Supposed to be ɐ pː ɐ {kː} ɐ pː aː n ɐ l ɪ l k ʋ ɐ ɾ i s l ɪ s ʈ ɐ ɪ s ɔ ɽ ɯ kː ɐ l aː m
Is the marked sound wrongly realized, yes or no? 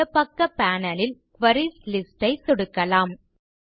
no